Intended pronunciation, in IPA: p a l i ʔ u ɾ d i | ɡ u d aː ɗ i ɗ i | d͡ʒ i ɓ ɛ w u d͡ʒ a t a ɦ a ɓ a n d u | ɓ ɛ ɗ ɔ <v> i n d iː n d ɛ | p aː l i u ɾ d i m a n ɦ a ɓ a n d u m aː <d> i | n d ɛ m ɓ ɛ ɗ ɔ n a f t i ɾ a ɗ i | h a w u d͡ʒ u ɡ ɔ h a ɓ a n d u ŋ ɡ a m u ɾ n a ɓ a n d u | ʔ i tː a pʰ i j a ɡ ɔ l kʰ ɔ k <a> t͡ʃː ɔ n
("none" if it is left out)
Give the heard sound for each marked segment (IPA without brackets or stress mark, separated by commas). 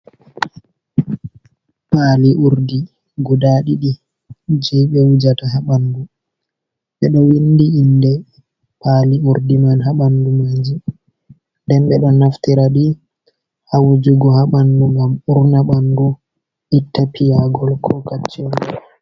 w, d͡ʒ, a